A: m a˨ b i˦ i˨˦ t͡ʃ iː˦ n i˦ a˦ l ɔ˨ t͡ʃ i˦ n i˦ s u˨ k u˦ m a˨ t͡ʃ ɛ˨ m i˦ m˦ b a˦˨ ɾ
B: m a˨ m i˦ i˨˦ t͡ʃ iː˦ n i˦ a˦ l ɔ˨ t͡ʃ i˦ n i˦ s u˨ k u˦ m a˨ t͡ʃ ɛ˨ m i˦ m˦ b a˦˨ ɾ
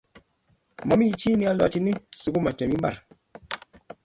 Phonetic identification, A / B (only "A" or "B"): B